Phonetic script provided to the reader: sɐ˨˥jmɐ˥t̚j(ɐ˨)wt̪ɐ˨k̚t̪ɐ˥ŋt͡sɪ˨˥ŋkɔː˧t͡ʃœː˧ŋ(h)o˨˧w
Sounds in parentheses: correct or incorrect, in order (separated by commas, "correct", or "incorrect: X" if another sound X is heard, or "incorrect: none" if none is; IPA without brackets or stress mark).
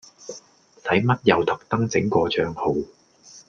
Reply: correct, correct